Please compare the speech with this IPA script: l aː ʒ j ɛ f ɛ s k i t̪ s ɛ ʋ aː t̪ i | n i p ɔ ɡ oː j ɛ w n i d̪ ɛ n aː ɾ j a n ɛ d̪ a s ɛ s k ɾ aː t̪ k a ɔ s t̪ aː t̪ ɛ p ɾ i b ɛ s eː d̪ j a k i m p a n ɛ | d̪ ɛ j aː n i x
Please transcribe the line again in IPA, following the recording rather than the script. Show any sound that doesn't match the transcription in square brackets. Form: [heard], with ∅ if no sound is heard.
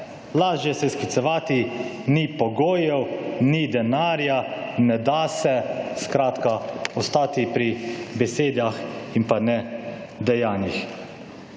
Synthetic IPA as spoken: l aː ʒ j ɛ [s] ɛ s k i t̪ s ɛ ʋ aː t̪ i | n i p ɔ ɡ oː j ɛ w n i d̪ ɛ n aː ɾ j a n ɛ d̪ a s ɛ s k ɾ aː t̪ k a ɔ s t̪ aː t̪ [i] p ɾ i b ɛ s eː d̪ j a [x] i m p a n ɛ | d̪ ɛ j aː n i x